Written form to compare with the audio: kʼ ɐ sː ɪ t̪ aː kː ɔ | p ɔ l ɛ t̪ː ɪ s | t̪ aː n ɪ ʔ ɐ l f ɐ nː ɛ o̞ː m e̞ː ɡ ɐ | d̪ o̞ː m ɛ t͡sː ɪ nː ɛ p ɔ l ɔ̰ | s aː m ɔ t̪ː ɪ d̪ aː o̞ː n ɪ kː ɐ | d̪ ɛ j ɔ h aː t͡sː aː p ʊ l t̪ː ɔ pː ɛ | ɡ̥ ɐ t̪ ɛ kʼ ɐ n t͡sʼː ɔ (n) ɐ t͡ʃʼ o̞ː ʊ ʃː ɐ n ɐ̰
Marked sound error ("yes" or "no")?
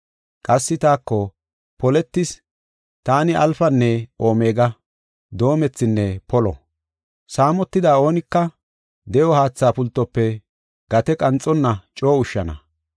yes